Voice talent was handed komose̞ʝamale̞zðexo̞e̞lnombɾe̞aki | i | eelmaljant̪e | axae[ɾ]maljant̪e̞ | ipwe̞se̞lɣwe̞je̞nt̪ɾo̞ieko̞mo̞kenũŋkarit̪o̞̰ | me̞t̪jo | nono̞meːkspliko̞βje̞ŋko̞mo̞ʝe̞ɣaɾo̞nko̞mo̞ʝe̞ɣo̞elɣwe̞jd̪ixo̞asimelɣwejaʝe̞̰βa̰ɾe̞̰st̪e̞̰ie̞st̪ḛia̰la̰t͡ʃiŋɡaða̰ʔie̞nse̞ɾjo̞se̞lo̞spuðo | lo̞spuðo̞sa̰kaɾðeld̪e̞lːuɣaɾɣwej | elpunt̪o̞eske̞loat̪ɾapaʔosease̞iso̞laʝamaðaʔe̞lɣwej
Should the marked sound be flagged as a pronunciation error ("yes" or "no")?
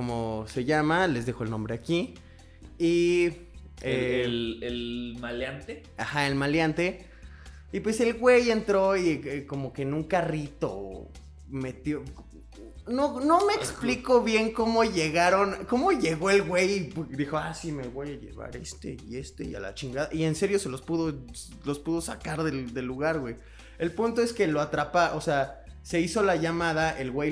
yes